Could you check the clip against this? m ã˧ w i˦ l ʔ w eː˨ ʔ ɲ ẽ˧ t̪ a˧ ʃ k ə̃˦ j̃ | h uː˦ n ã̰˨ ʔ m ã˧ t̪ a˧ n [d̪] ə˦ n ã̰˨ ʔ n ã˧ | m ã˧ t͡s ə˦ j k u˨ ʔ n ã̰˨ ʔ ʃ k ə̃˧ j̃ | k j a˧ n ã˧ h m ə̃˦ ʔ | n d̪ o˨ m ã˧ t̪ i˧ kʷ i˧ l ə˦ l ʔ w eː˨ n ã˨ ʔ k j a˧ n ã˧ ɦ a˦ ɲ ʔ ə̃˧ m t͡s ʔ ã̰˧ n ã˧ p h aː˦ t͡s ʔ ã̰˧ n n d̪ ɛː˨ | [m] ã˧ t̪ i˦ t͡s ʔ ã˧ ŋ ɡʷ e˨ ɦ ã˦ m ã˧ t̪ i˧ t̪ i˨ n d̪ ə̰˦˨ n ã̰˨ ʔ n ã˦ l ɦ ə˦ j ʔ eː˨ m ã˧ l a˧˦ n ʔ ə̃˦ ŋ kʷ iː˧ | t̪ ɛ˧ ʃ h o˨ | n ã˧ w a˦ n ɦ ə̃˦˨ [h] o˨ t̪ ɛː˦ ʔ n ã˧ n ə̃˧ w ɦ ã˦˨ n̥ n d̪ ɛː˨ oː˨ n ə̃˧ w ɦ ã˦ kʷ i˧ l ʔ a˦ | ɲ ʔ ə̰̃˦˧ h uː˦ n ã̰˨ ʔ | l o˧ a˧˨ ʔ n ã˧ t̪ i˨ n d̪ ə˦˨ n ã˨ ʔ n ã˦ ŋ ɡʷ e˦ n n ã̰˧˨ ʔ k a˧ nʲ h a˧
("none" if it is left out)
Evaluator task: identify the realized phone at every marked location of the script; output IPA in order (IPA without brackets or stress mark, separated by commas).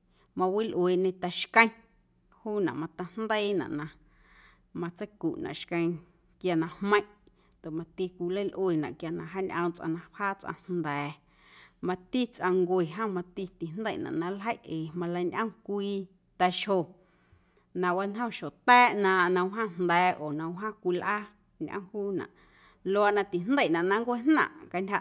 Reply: d̪, m, ʃ